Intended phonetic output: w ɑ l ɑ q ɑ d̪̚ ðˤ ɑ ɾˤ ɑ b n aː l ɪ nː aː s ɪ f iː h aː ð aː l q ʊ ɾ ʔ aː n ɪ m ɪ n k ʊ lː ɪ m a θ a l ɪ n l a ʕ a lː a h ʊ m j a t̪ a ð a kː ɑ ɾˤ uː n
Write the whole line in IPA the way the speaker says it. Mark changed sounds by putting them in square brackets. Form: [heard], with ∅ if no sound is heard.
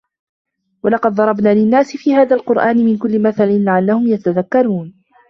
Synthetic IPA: w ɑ l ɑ q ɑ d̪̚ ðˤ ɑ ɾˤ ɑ b n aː l ɪ nː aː s ɪ f iː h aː ð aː l q ʊ ɾ ʔ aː n ɪ m ɪ n k ʊ lː ɪ m a θ a l ɪ n l a ʕ a lː a h ʊ m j a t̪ a ð a kː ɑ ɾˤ uː n